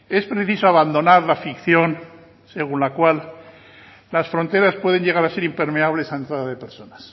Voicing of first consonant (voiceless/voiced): voiceless